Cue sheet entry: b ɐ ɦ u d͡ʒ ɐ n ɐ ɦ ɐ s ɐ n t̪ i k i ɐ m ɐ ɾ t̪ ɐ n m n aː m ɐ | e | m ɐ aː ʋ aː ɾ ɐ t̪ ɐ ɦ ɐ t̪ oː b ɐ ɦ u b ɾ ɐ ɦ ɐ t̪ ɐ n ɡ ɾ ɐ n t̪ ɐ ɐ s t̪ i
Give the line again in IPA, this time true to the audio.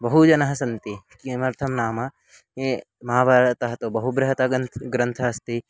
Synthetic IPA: b ɐ ɦ u d͡ʒ ɐ n ɐ ɦ ɐ s ɐ n t̪ i k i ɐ m ɐ ɾ t̪ʰ ɐ m n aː m ɐ | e | m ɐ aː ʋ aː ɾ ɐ t̪ ɐ ɦ ɐ t̪ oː b ɐ ɦ u b ɾ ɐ ɦ ɐ t̪ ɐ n ɡ ɾ ɐ n t̪ʰ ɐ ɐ s t̪ i